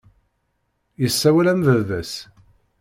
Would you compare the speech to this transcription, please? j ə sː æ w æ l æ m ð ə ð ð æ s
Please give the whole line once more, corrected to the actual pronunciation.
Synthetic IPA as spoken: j ə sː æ w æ l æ m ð ə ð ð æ s

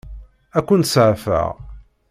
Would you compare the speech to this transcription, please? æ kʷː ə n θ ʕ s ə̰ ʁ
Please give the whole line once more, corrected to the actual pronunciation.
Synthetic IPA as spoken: æ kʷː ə n s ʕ f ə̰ ʁ

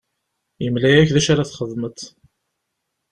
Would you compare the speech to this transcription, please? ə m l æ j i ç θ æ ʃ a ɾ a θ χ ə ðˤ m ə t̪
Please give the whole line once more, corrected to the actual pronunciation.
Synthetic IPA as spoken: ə m l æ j æ ç ð æ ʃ a ɾ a θ χ ə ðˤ m ə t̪

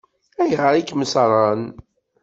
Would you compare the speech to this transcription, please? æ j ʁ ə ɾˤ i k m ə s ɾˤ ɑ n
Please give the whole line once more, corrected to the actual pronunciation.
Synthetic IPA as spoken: æ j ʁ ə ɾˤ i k m ə s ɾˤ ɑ n

